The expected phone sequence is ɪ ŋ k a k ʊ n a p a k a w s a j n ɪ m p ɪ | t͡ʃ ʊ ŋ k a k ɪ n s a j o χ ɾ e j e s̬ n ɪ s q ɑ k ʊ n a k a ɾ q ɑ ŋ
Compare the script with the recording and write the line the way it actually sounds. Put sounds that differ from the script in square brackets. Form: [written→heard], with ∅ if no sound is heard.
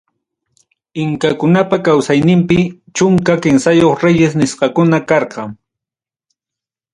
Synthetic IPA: ɪ ŋ k a k ʊ n a p a k a w s a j n ɪ m p ɪ | t͡ʃ ʊ ŋ k a k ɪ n s a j o χ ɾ e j e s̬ n ɪ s q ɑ k ʊ n a k [a→ɑ] ɾ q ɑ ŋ

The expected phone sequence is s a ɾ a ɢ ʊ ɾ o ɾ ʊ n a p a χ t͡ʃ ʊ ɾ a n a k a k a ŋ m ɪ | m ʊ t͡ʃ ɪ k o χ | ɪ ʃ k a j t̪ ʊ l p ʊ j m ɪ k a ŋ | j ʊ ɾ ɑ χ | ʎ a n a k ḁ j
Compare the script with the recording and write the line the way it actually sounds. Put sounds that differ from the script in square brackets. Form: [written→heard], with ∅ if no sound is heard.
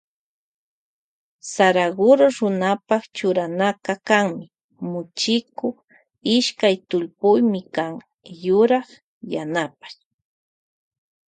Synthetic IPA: s a ɾ a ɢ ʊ ɾ o ɾ ʊ n a p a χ t͡ʃ ʊ ɾ a n a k a k a ŋ m ɪ | m ʊ t͡ʃ ɪ k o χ | ɪ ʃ k a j t̪ ʊ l p ʊ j m ɪ k a ŋ | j ʊ ɾ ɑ χ | [ʎ→j] a n a [k→p] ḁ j

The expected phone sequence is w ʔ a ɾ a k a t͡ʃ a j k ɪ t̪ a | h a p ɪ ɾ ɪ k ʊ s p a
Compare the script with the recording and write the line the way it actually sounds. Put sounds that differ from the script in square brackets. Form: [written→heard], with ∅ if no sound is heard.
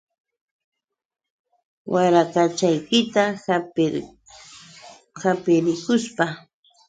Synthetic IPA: w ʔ a ɾ a k a t͡ʃ a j k ɪ t̪ a | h a p ɪ ɾ ɪ k ʊ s p a

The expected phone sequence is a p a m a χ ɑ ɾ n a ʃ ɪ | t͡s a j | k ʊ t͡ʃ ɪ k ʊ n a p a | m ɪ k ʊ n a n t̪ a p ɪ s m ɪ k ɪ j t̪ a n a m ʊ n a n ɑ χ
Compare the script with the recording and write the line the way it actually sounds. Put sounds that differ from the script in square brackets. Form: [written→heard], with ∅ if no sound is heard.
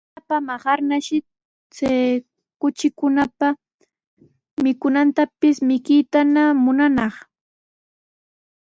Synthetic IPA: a p a m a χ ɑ ɾ n a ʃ ɪ | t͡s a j | k ʊ t͡ʃ ɪ k ʊ n a p a | m ɪ k ʊ n a n t̪ a p ɪ s m ɪ k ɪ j t̪ a n a m ʊ n a n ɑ χ

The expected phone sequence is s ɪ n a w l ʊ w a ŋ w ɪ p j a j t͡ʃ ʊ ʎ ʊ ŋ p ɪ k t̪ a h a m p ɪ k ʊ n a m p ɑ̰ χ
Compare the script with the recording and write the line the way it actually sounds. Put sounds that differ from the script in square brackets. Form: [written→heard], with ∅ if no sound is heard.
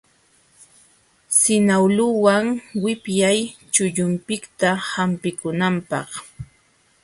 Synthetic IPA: s ɪ n a w l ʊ w a ŋ w ɪ p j a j t͡ʃ ʊ ʎ ʊ [ŋ→m] p ɪ k t̪ a h a m p ɪ k ʊ n a m p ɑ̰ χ

